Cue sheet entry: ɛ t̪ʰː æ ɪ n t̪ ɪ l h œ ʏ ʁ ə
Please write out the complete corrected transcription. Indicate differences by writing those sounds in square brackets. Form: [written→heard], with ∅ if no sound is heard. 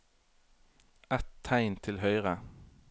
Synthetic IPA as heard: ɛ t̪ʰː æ ɪ n [t̪→t̪ʰ] ɪ l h œ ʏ ʁ ə